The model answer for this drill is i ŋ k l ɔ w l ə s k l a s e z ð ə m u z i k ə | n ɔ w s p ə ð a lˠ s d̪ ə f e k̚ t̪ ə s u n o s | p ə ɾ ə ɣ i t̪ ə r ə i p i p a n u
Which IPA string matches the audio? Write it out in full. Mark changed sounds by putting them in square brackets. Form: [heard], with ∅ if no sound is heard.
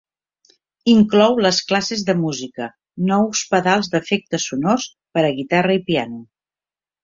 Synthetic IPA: i ŋ k l ɔ w l ə s k l a s e z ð ə m u z i k ə | n ɔ w s p ə ð a lˠ [z] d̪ ə f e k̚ t̪ ə s u n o s | p ə ɾ ə ɣ i t̪ [a] r ə i p i [∅] a n u